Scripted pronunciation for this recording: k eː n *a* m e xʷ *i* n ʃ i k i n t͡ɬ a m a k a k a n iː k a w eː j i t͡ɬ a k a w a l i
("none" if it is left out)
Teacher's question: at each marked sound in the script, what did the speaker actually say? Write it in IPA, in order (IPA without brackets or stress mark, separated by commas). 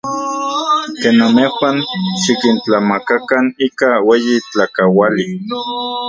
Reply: a, a